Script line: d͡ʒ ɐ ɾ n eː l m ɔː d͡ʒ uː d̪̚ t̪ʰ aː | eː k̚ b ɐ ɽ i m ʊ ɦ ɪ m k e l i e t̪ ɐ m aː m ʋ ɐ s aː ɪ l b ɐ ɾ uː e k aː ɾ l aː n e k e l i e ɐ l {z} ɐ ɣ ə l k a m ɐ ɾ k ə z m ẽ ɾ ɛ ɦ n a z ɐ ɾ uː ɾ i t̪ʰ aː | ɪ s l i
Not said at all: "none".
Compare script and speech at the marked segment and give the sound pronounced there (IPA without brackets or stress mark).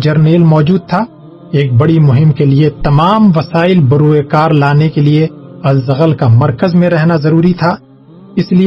z